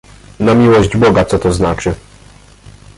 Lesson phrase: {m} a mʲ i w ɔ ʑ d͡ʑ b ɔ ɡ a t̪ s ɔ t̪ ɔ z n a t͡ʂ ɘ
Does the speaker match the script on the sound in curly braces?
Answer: no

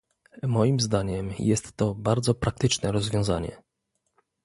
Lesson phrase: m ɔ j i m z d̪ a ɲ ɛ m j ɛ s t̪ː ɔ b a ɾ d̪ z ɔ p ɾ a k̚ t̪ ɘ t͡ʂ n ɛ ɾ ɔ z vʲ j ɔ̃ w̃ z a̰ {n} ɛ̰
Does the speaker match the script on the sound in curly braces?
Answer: no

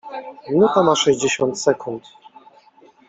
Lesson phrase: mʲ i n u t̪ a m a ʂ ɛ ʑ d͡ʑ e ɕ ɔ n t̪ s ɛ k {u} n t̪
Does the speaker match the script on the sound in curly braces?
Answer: yes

